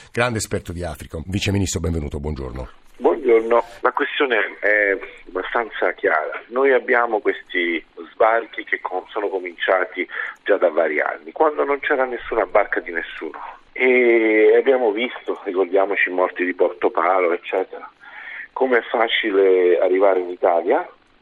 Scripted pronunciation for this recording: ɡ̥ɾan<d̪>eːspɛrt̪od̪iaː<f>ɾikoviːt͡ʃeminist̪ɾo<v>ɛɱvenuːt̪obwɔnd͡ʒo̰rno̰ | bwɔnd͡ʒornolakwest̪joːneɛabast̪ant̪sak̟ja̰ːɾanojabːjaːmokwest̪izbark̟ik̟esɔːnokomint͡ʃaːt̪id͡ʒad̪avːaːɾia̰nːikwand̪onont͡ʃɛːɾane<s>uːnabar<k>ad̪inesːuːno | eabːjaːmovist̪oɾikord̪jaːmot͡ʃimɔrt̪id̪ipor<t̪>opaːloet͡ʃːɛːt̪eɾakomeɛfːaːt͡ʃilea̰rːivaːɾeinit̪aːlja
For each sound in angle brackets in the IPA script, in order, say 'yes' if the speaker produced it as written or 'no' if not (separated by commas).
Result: yes, yes, no, no, yes, yes